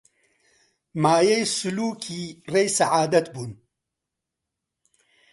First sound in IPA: m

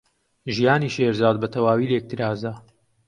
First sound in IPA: ʒ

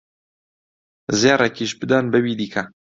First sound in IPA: z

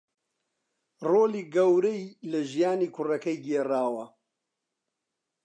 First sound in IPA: r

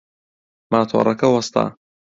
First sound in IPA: m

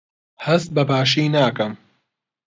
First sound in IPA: h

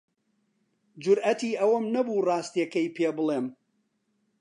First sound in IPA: d͡ʒ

